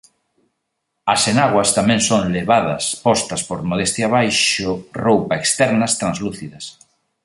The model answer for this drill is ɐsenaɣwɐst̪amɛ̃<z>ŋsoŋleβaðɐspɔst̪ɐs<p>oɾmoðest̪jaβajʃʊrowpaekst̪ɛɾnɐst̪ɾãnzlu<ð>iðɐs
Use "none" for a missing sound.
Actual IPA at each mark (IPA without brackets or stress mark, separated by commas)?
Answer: none, p, θ